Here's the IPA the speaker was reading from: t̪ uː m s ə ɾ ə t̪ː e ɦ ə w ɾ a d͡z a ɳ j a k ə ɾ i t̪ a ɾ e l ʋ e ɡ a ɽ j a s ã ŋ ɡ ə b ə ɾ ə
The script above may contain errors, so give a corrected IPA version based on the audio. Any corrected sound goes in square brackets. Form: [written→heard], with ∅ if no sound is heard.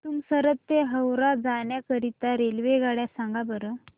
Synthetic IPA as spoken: t̪ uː m s ə ɾ ə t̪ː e ɦ ə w ɾ a d͡z a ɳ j a k ə ɾ i t̪ a ɾ e l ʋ e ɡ a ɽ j a s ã ŋ ɡ [ə→a] b ə ɾ ə

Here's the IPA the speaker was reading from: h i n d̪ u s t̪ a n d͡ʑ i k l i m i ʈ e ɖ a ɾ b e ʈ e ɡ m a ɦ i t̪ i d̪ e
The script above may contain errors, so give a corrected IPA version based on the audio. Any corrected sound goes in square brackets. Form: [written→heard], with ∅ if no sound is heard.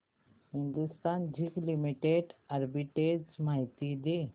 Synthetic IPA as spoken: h i n d̪ u s t̪ a n d͡ʑ i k l i m i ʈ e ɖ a ɾ b [e→i] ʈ e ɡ m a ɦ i t̪ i d̪ e

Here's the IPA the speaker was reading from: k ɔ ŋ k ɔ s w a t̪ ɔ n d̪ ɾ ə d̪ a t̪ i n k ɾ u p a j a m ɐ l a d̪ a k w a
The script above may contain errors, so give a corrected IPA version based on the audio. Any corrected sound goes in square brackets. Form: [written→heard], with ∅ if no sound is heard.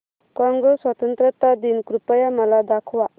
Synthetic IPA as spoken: k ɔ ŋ [k→ɡ] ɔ s w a t̪ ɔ n [d̪→t̪] ɾ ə [d̪→t̪] a [t̪→d̪] i n k ɾ u p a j a m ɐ l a d̪ a [k→kʰ] w a

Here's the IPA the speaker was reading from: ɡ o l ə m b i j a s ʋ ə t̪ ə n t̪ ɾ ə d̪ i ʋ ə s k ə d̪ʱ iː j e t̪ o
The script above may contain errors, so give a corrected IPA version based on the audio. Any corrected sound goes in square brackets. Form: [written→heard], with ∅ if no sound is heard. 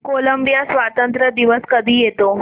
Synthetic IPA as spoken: [ɡ→k] o l ə m b i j a s ʋ [ə→a] t̪ ə n t̪ ɾ ə d̪ i ʋ ə s k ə d̪ʱ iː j e t̪ o

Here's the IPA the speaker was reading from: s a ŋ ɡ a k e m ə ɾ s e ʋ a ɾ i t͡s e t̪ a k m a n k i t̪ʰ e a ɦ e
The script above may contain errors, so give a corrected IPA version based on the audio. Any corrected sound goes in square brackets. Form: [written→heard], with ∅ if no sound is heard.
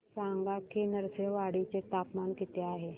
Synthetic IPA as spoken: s a ŋ ɡ a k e [m→n] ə ɾ s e ʋ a [ɾ→ɽ] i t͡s e t̪ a [k→p] m a n k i [t̪ʰ→t̪] e a ɦ e

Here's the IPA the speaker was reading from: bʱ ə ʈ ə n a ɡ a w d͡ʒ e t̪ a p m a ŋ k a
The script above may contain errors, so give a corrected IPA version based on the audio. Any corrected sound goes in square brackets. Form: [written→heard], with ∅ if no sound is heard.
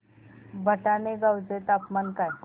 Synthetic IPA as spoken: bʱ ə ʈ [ə→a] n [a→e] ɡ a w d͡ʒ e t̪ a p m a [ŋ→n] k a

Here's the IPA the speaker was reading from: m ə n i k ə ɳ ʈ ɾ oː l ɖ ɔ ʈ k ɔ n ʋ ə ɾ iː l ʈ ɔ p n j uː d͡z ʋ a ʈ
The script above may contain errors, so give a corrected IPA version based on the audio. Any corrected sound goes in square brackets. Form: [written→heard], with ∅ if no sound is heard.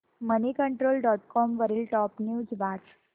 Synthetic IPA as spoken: m ə n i k ə ɳ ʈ ɾ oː l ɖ ɔ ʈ k ɔ [n→m] ʋ ə ɾ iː l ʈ ɔ p n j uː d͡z ʋ a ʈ

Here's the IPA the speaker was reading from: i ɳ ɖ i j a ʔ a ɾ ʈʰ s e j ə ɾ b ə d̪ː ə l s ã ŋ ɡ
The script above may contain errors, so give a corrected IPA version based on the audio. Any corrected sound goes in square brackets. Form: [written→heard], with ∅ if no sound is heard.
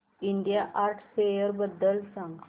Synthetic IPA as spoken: i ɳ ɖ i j a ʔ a ɾ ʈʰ s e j ə ɾ b ə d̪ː ə l s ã ŋ ɡ

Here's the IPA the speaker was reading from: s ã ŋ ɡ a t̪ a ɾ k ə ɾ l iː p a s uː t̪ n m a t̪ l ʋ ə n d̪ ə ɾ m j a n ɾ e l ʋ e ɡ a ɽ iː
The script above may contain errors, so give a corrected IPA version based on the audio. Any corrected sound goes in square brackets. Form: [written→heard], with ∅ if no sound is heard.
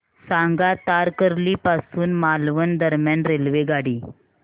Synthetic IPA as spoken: s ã ŋ ɡ a t̪ a ɾ k ə ɾ l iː p a s uː [t̪→∅] n m a [t̪→∅] l ʋ ə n d̪ ə ɾ m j a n ɾ e l ʋ e ɡ a ɽ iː

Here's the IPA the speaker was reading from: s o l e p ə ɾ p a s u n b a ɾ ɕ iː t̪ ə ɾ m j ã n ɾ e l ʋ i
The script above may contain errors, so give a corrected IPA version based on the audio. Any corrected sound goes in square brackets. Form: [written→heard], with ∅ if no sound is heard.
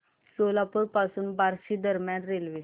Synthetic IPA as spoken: s o l [e→a] p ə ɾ p a s [u→uː] n b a ɾ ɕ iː [t̪→d̪] ə ɾ m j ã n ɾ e l ʋ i

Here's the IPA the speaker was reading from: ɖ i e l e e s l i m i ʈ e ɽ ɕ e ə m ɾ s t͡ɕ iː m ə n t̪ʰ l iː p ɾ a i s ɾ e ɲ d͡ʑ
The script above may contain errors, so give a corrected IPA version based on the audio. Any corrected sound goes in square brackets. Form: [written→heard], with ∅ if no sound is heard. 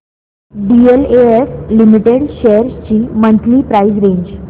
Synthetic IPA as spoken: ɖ i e l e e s l i m i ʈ e ɽ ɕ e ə [m→∅] ɾ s t͡ɕ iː m ə n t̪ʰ l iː p ɾ a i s ɾ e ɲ d͡ʑ

